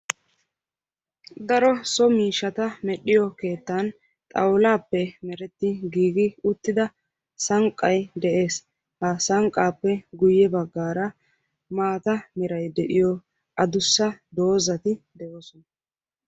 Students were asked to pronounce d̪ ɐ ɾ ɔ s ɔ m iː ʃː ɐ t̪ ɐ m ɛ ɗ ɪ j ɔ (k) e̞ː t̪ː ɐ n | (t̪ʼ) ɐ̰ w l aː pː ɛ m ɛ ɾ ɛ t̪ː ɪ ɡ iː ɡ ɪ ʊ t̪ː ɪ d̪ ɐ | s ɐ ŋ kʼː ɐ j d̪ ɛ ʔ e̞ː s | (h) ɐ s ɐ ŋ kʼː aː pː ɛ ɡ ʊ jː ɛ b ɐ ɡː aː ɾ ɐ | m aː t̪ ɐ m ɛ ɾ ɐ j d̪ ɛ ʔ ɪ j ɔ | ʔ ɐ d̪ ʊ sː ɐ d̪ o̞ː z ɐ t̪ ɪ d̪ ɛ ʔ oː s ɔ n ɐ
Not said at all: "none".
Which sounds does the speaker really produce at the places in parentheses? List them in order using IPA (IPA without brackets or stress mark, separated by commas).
k, t̪ʼ, h